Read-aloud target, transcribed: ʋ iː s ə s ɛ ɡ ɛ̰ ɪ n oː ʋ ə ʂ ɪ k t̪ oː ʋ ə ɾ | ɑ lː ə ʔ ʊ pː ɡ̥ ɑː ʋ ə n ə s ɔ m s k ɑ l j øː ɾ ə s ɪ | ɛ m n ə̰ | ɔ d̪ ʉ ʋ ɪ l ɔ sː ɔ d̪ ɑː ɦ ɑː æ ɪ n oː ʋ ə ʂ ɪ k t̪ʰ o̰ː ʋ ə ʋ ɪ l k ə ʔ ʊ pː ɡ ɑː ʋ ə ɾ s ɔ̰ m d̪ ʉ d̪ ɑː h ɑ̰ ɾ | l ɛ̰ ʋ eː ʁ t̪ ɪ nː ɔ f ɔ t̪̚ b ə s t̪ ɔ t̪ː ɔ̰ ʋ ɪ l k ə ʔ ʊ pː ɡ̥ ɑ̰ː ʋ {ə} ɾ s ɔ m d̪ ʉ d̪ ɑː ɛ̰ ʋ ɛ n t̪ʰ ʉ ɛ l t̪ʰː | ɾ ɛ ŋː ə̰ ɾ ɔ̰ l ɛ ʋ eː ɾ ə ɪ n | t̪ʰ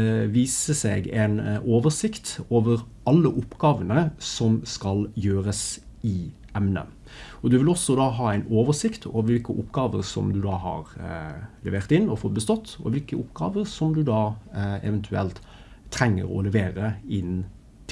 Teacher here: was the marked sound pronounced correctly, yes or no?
yes